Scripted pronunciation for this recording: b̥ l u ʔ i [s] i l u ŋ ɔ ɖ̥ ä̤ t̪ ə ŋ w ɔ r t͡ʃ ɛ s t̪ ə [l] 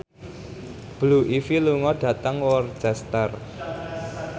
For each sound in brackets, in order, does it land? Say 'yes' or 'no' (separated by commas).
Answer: no, no